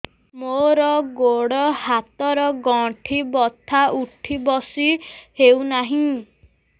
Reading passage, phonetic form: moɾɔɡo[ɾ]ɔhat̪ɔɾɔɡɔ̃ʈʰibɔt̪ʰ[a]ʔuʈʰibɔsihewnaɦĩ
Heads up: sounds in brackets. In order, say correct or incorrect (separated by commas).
incorrect, correct